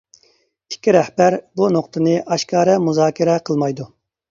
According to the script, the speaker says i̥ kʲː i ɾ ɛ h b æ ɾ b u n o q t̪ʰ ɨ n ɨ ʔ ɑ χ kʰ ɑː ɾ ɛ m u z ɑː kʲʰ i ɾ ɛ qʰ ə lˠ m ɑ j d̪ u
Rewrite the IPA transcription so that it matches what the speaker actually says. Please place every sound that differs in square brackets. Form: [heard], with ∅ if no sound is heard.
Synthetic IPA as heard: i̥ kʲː i ɾ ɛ h b æ ɾ b u n o q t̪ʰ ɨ n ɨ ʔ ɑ [ʃ] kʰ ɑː ɾ ɛ m u z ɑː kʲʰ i ɾ ɛ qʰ ə lˠ m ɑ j d̪ u